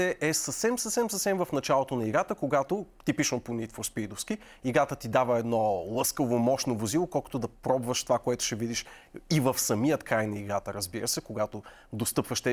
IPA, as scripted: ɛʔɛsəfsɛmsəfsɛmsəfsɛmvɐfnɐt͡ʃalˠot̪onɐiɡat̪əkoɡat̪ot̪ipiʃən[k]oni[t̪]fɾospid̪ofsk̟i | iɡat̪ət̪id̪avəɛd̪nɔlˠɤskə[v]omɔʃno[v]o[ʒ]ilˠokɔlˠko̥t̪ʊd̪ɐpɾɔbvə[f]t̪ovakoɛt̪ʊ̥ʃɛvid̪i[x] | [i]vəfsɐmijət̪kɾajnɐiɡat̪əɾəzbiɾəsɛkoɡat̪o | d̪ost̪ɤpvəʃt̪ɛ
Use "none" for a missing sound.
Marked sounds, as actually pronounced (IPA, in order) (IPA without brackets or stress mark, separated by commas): p, t̪, v, v, z, ʃ, ʃ, i